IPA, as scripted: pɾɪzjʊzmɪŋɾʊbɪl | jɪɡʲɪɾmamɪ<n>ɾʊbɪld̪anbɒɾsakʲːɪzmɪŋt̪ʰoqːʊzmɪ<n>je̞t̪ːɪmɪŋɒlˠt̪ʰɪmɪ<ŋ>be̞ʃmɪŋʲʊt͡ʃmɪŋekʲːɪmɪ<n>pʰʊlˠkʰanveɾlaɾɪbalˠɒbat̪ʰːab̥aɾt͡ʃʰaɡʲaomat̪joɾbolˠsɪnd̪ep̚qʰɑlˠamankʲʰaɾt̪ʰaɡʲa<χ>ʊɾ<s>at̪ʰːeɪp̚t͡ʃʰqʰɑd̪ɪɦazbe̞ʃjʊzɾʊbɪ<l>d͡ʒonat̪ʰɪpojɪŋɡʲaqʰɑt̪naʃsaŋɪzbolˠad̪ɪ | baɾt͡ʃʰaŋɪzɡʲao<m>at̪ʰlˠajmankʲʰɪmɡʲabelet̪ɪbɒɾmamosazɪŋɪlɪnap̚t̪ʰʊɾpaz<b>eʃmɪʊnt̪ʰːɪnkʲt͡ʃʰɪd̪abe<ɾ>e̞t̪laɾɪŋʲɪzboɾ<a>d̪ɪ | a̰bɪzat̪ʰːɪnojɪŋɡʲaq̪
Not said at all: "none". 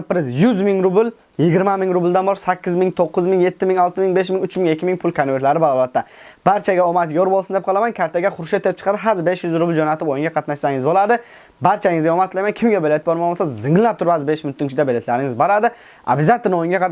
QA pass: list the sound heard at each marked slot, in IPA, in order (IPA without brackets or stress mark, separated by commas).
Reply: ŋ, ŋ, ŋ, ŋ, χ, ʃ, l, m, b, l, a